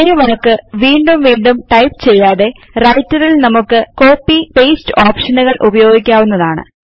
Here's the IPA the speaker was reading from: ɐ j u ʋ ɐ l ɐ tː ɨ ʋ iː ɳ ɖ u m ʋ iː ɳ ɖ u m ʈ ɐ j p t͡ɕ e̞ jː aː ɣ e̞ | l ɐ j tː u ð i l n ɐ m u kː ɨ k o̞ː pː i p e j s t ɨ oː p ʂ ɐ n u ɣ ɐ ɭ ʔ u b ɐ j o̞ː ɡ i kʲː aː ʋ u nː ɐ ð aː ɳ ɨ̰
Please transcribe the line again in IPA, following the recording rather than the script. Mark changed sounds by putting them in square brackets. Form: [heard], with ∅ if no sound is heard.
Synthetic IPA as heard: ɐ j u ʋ ɐ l ɐ [kː] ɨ ʋ iː ɳ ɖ u m ʋ iː ɳ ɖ u m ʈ ɐ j p t͡ɕ e̞ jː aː [ð] e̞ | [r] ɐ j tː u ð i l n ɐ m u kː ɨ k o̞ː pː i p e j s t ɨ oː p ʂ ɐ n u ɣ ɐ ɭ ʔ u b ɐ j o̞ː ɡ i kʲː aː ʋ u nː ɐ ð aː ɳ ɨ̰